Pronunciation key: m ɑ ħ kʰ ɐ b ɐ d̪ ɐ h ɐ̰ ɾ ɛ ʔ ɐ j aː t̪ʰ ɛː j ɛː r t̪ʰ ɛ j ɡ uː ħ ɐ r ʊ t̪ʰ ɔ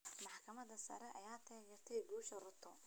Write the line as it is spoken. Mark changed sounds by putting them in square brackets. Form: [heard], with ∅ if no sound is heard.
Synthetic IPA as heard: m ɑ ħ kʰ ɐ [m] ɐ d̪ ɐ [s] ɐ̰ ɾ ɛ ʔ ɐ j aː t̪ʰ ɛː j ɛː r t̪ʰ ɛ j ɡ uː [ʃ] ɐ r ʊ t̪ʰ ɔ